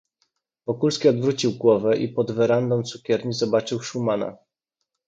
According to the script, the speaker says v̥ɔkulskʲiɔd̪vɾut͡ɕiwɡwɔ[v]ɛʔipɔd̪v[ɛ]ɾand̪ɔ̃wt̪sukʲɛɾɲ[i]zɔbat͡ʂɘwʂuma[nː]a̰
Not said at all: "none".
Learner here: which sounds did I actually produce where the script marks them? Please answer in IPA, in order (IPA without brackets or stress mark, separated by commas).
v, ɛ, i, n